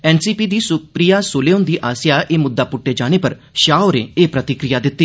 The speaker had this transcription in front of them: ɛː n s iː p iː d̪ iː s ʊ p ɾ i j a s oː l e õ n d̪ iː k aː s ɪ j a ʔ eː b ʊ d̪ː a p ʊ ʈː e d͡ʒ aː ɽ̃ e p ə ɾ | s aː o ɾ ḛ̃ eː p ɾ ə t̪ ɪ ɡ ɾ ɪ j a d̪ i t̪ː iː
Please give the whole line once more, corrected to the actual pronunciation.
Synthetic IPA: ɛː n s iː p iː d̪ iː s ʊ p ɾ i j a s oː l e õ n d̪ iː ʔ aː s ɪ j a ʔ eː m ʊ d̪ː a p ʊ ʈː e d͡ʒ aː ɽ̃ e p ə ɾ | ʃ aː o ɾ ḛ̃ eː p ɾ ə t̪ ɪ k ɾ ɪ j a d̪ ɪ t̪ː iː